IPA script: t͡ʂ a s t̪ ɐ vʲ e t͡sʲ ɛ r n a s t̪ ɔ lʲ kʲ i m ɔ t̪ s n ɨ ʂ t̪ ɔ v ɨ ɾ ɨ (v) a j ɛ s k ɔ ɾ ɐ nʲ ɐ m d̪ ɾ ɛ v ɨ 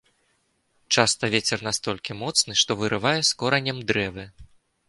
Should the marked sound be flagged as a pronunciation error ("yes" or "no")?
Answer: no